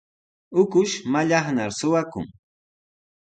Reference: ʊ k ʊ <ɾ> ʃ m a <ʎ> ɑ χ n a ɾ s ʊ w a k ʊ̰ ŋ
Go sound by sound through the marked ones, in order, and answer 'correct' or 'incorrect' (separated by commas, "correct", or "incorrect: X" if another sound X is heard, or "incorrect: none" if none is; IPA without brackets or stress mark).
incorrect: none, correct